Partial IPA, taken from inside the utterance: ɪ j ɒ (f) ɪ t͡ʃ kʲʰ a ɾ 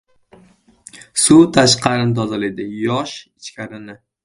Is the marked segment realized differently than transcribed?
yes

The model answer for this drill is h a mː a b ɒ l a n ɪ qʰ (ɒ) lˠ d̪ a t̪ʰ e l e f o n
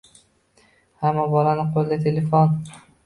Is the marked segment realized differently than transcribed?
yes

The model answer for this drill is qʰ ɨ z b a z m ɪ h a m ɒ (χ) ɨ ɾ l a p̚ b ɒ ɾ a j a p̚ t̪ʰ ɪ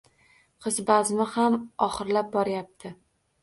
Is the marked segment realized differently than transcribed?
no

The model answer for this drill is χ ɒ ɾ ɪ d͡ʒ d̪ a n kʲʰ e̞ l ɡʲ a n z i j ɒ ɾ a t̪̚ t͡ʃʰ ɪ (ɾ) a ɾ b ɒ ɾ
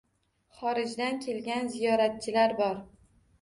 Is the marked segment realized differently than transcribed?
yes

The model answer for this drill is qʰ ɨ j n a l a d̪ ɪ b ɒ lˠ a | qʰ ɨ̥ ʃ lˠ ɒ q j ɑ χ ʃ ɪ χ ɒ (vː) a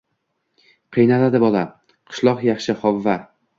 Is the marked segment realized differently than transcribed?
no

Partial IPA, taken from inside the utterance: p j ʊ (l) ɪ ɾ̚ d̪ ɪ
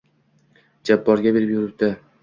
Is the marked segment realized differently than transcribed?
yes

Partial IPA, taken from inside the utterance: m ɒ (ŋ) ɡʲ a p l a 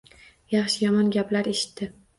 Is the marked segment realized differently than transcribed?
yes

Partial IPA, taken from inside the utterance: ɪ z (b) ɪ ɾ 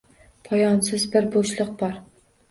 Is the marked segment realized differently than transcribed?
no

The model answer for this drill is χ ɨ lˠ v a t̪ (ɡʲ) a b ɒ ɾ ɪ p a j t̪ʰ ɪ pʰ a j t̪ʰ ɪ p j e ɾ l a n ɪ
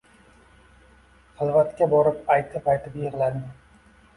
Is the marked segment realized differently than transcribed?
yes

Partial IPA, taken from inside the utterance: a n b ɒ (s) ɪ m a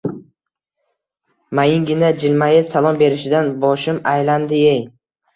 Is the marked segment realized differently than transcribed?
yes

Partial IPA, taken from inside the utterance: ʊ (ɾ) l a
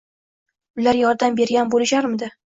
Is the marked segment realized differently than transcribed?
yes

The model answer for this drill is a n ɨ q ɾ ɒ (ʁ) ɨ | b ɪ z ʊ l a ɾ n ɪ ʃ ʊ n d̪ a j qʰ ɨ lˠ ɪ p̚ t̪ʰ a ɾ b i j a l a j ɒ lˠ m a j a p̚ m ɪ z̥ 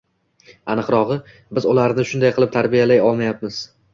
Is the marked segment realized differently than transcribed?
no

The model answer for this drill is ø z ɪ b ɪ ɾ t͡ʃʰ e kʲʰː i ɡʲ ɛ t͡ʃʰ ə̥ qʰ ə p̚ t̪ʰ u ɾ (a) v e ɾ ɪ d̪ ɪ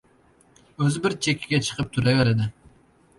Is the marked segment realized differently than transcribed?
yes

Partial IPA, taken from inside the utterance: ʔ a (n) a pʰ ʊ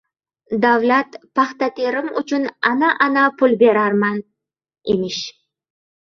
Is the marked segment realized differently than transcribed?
no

